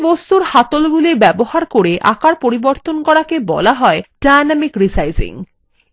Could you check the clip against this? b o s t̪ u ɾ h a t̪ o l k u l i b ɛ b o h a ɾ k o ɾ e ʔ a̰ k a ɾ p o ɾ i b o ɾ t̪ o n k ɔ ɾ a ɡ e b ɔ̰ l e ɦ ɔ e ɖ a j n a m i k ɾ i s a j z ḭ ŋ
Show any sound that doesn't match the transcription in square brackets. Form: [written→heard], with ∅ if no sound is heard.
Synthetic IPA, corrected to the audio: b o s t̪ u ɾ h a t̪ o l [k→ɡ] u l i b ɛ b o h a ɾ k o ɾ e ʔ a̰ k a ɾ p o ɾ i b o ɾ t̪ o n k ɔ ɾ a [ɡ→k] e b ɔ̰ l [e→a] ɦ ɔ e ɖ a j n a m i k ɾ i s a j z ḭ ŋ